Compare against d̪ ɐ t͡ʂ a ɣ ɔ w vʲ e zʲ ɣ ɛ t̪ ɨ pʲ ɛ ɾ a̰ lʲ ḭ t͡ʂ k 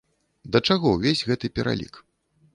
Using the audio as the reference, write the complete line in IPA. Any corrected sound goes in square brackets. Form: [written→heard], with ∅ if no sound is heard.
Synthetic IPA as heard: d̪ ɐ t͡ʂ a ɣ ɔ w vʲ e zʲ ɣ ɛ t̪ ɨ pʲ ɛ ɾ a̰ lʲ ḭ [t͡ʂ→∅] k